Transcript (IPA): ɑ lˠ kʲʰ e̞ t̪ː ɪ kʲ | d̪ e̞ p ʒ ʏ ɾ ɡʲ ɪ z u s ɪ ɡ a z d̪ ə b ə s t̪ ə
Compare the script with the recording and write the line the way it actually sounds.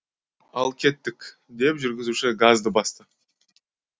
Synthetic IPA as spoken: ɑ lˠ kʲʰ e̞ t̪ː ɪ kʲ | d̪ e̞ p ʒ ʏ ɾ ɡʲ ɪ z u ʃ ɪ ɡ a z d̪ ə b ɑ s t̪ ə